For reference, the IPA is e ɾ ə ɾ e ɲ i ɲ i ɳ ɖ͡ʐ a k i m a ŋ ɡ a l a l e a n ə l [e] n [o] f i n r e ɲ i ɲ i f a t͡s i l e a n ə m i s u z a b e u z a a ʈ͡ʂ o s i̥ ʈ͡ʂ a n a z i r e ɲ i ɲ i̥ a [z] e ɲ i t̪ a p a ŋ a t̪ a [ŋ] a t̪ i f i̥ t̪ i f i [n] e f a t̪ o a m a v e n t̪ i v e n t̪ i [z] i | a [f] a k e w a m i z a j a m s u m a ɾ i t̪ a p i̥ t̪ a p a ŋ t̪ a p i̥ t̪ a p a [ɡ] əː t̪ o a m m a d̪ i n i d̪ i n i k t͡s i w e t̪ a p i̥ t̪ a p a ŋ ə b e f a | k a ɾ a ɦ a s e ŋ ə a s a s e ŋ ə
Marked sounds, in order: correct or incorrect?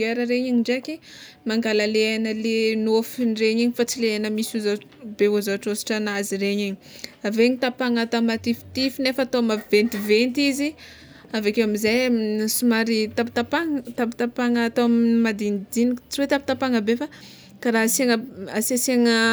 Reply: correct, correct, incorrect: v, incorrect: m, correct, correct, incorrect: v, incorrect: ŋ

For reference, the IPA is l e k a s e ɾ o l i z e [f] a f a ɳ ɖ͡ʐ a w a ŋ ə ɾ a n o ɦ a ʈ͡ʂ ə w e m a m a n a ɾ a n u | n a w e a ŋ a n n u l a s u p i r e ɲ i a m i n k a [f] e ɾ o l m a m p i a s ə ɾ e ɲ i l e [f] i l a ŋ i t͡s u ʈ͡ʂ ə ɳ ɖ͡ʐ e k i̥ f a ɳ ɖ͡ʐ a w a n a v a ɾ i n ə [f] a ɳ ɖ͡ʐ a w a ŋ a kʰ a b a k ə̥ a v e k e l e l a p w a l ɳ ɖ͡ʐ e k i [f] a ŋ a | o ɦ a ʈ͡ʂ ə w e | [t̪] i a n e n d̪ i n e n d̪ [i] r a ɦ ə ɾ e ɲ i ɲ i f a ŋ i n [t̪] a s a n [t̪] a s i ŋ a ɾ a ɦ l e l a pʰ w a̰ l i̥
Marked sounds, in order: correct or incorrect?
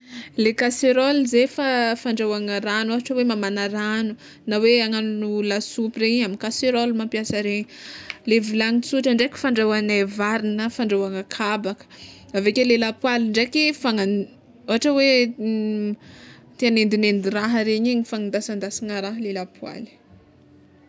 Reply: correct, incorrect: s, incorrect: v, correct, correct, correct, correct, incorrect: d̪, incorrect: d̪

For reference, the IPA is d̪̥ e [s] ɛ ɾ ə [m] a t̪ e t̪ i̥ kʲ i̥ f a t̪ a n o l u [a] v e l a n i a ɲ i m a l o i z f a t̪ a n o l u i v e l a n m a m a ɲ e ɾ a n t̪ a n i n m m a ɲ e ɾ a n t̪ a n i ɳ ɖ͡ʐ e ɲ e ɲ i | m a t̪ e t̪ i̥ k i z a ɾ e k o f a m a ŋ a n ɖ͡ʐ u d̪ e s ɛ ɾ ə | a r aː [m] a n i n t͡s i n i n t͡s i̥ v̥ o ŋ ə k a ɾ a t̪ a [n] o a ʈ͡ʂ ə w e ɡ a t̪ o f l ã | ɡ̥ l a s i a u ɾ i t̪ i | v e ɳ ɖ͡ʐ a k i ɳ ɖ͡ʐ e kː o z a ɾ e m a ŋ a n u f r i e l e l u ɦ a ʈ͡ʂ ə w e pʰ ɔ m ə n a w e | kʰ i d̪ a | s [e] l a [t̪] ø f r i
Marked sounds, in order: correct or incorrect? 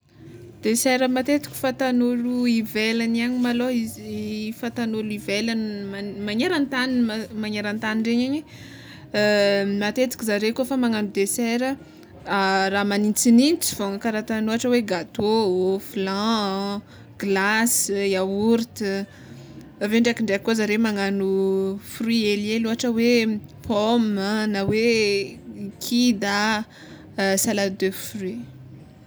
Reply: correct, correct, incorrect: i, correct, correct, incorrect: a, incorrect: d̪

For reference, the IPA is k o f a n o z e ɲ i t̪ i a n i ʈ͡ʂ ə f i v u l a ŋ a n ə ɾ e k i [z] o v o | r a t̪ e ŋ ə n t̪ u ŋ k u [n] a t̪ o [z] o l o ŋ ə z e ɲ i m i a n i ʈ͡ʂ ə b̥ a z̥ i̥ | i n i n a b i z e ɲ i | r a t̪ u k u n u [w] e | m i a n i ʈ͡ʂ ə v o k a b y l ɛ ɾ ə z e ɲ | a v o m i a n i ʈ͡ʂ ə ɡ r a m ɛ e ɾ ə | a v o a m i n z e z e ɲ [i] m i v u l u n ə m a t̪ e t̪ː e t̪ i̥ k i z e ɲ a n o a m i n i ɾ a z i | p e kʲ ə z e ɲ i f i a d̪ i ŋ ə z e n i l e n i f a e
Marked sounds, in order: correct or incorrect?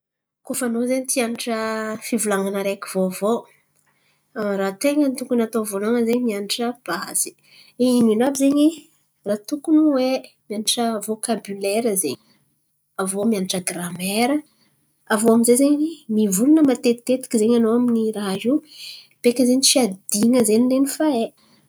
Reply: incorrect: v, correct, incorrect: v, correct, correct

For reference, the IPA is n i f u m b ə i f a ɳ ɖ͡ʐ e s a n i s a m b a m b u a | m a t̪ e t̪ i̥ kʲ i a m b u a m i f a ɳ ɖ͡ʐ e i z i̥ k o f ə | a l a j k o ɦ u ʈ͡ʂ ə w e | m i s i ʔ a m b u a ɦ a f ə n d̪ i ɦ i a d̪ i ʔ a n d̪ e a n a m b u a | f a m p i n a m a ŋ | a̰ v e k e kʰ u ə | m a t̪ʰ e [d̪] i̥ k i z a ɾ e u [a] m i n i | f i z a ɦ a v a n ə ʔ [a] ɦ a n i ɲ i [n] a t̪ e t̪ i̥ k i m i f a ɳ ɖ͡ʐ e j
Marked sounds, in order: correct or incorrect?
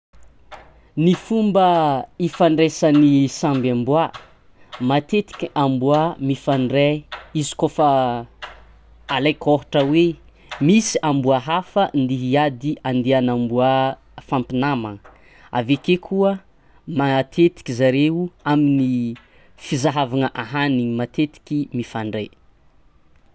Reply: incorrect: t̪, correct, correct, incorrect: m

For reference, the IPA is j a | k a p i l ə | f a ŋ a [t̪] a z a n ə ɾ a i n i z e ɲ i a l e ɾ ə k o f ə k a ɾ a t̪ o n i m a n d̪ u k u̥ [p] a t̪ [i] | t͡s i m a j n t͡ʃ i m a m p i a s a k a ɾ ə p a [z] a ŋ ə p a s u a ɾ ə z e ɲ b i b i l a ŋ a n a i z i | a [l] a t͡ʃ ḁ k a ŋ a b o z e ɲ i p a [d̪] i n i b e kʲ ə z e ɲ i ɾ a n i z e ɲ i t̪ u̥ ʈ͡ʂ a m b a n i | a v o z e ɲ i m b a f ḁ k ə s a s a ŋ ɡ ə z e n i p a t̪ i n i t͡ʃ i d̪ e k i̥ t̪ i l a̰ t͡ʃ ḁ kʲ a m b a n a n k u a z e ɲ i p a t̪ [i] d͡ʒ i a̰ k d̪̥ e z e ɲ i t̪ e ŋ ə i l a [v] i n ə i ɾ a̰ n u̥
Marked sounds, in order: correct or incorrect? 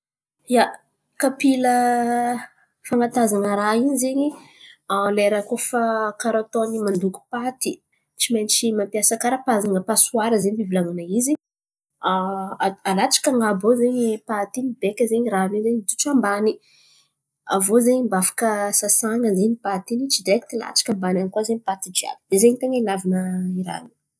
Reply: correct, correct, correct, correct, correct, incorrect: t̪, correct, correct

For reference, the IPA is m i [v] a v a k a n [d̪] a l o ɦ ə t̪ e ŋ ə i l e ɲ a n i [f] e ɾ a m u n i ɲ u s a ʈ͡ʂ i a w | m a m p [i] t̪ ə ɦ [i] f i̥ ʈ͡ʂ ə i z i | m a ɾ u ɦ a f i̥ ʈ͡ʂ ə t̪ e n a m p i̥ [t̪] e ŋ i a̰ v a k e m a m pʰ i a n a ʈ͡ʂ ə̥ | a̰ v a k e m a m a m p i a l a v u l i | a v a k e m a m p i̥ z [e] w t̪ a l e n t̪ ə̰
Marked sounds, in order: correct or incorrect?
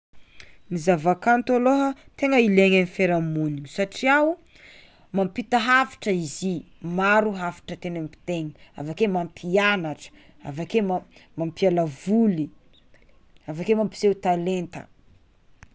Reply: incorrect: z, incorrect: t̪, correct, correct, incorrect: a, correct, correct

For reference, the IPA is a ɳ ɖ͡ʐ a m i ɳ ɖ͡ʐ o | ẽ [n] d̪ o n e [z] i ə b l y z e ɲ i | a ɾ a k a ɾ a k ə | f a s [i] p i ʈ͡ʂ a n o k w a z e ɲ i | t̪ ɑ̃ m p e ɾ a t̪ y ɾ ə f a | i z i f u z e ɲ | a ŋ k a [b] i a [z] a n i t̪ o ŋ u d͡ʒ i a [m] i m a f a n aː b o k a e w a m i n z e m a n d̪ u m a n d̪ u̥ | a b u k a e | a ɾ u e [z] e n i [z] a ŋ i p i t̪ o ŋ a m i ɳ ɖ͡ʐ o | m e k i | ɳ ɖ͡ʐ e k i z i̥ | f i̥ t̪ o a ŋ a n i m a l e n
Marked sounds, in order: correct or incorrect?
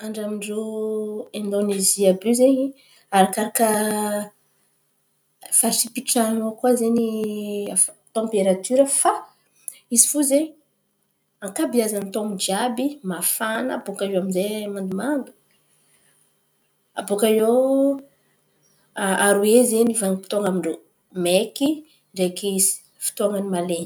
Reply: correct, correct, correct, correct, correct, incorrect: b, correct, incorrect: v

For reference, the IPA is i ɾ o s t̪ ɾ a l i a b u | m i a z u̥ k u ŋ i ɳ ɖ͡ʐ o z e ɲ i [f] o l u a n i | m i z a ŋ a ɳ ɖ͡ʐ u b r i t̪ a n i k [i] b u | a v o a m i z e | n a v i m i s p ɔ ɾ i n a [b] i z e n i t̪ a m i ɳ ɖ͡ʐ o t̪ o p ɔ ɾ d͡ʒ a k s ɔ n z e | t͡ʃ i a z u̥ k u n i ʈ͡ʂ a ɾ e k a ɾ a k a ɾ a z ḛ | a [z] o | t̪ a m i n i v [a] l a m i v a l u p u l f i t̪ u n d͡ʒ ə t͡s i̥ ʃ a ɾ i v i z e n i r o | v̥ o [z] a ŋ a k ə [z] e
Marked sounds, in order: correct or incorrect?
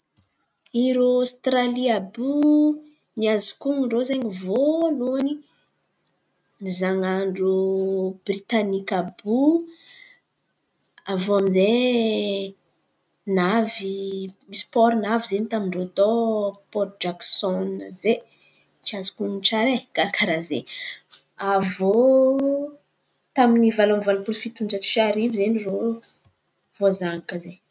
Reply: incorrect: v, incorrect: a, incorrect: v, incorrect: v, correct, correct, correct

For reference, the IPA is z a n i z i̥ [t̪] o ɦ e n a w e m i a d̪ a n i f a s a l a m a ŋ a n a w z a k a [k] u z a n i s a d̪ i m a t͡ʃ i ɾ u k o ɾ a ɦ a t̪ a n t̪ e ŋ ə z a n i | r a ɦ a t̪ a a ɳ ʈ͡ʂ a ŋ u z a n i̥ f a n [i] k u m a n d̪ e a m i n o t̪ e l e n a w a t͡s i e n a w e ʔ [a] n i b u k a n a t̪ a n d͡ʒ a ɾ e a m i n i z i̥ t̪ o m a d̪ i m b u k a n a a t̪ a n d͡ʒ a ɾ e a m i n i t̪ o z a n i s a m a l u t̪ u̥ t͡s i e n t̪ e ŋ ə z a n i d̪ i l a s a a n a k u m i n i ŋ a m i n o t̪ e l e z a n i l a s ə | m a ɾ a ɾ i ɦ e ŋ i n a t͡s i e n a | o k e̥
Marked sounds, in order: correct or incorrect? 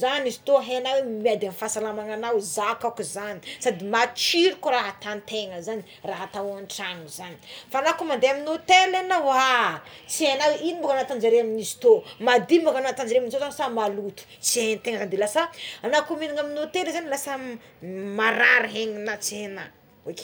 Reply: correct, correct, incorrect: a, incorrect: i

